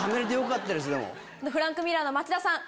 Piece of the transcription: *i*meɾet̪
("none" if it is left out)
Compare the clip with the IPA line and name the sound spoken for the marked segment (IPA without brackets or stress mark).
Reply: a